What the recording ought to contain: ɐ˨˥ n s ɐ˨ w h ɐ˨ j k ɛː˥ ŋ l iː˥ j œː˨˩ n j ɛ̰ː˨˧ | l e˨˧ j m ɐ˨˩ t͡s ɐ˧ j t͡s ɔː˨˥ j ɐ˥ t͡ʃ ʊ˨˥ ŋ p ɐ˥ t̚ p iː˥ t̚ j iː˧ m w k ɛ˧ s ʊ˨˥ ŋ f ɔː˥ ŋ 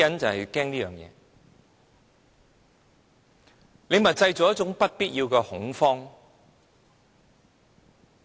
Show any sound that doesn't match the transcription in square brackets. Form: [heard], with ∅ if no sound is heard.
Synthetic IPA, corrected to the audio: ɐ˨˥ n [t͡s] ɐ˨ w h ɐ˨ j k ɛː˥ ŋ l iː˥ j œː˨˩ [ŋ] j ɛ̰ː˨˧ | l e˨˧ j m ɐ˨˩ t͡s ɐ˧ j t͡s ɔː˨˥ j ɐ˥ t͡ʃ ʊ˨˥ ŋ p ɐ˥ t̚ p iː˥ t̚ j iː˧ [∅] w k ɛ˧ [h] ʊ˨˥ ŋ f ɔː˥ ŋ